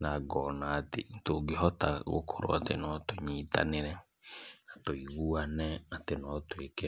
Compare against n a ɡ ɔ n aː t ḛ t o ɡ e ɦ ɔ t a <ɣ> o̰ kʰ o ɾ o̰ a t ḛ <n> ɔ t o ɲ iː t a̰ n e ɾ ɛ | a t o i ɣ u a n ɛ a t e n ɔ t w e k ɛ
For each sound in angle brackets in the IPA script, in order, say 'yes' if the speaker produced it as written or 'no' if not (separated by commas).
yes, yes